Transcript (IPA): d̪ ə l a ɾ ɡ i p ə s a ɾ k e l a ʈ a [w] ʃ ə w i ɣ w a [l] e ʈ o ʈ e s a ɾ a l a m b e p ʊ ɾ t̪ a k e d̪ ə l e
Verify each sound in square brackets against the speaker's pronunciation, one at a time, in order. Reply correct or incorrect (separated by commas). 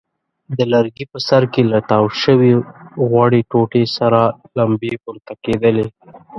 correct, incorrect